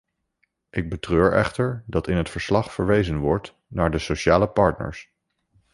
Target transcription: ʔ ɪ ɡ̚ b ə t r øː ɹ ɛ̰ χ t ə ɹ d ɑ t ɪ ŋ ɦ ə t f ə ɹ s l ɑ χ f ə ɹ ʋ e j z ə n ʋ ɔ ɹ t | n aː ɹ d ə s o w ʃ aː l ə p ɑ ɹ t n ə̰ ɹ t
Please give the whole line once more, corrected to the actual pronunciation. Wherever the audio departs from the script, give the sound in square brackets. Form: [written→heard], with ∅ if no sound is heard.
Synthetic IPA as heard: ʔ ɪ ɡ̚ b ə t r øː ɹ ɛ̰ χ t ə ɹ d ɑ t ɪ [ŋ→n] ɦ ə t f ə ɹ s l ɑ χ f ə ɹ ʋ e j z ə n ʋ ɔ ɹ t | n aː ɹ d ə s o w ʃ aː l ə p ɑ ɹ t n ə̰ ɹ [t→s]